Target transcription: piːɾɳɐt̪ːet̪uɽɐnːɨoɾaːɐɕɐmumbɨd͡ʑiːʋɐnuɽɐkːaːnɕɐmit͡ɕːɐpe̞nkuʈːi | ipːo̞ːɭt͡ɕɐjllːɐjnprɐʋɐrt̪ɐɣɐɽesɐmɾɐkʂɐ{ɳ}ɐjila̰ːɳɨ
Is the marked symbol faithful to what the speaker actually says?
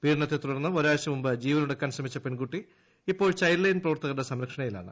yes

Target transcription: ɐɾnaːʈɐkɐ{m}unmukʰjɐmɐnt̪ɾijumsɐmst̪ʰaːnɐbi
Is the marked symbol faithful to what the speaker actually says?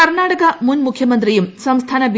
yes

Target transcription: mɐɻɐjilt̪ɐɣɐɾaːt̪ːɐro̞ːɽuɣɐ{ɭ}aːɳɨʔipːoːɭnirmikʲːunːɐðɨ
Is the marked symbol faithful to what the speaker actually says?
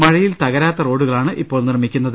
yes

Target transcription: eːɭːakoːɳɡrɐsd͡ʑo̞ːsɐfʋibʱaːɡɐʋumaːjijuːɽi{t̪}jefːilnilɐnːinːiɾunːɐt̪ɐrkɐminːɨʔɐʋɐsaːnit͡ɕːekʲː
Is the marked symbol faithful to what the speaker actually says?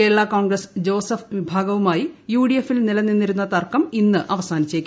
no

